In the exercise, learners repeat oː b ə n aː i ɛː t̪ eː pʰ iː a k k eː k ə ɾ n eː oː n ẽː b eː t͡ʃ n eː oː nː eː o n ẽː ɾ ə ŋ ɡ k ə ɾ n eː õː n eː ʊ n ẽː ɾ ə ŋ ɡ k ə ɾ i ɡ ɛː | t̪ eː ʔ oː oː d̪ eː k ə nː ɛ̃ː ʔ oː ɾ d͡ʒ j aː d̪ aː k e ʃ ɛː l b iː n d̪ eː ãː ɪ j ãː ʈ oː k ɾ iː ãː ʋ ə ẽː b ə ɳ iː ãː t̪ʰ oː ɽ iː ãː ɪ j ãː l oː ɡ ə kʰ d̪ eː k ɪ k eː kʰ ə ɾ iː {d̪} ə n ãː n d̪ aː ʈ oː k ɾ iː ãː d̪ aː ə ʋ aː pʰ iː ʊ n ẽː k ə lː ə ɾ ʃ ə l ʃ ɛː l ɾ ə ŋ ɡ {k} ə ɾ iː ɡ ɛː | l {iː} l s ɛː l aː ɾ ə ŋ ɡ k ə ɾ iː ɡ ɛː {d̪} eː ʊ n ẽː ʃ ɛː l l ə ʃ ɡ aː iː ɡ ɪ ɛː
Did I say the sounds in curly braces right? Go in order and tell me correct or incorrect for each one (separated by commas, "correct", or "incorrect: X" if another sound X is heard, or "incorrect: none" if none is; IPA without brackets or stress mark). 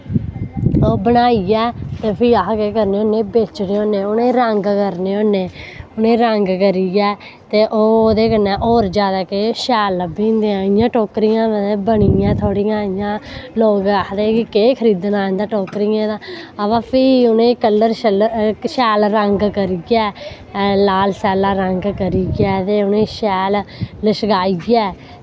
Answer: correct, correct, incorrect: aː, incorrect: t̪